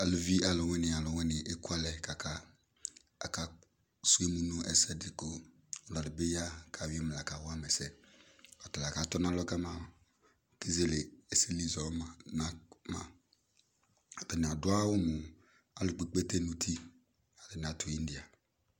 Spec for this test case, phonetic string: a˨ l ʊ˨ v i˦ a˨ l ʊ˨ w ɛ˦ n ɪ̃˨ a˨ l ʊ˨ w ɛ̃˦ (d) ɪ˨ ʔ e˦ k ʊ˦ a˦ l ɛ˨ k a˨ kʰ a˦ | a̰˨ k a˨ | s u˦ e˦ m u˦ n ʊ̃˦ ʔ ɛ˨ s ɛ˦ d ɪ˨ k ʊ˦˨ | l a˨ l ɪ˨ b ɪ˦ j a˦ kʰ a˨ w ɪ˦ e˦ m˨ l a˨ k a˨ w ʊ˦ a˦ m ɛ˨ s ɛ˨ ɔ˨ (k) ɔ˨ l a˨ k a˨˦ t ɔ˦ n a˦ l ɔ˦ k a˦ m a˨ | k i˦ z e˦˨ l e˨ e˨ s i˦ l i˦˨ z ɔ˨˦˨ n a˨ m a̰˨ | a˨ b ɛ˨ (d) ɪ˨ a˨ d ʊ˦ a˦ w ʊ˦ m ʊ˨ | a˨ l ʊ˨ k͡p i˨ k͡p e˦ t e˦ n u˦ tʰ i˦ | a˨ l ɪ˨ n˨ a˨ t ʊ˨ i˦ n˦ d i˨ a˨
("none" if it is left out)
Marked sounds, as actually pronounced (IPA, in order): n, t, n

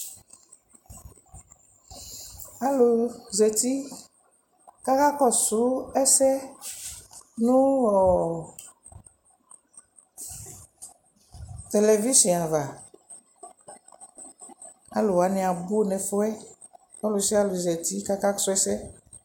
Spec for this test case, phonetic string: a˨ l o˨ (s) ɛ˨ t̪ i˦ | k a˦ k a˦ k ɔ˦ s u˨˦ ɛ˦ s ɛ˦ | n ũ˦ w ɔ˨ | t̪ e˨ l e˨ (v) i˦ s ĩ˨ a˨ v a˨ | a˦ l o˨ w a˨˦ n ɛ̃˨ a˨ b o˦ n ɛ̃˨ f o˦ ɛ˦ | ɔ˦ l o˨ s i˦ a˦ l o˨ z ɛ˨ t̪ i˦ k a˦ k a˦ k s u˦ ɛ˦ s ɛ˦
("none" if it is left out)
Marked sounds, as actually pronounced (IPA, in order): z, v

